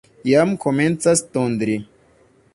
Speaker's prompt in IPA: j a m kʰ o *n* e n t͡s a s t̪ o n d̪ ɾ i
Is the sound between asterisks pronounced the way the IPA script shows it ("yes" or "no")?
no